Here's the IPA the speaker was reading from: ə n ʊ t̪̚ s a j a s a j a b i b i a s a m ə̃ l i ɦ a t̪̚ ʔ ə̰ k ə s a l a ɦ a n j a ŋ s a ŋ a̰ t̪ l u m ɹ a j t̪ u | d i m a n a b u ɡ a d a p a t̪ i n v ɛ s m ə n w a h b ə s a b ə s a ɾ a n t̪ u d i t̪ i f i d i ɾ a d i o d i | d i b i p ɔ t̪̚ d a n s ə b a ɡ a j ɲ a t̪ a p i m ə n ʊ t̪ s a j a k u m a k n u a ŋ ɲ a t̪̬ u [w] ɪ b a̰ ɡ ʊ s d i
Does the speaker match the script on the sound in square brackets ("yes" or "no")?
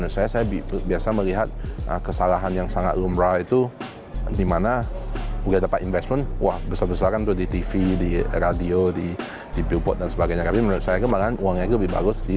no